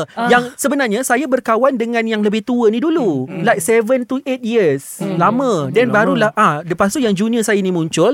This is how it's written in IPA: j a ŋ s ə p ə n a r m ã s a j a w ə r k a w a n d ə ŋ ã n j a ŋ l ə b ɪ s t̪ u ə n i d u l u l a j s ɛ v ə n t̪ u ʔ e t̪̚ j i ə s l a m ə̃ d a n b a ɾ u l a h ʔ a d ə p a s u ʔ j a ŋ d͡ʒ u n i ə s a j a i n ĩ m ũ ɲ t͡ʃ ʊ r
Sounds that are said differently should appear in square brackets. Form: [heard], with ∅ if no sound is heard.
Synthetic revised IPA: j a ŋ s ə [b] ə n a r [ɲ] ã s a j a [b] ə r k a w a n d ə ŋ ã n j a ŋ l ə b ɪ [h] t̪ u ə n i d u l u l a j s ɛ v ə n t̪ u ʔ e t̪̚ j i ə s l a m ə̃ d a n b a ɾ u l a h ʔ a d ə p a s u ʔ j a ŋ d͡ʒ u n i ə s a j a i n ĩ m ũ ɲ t͡ʃ ʊ [l]